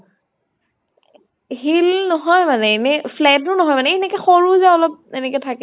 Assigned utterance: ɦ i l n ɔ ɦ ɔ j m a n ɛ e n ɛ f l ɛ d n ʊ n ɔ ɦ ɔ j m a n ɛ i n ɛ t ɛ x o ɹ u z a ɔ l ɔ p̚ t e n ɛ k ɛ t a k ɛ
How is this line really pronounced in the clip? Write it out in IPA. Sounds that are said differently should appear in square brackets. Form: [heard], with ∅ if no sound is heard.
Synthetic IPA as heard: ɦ i l n ɔ ɦ ɔ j m a n ɛ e n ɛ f l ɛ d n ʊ n ɔ ɦ ɔ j m a n ɛ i n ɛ [k] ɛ x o ɹ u z a ɔ l ɔ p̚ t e n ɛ k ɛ [tʰ] a k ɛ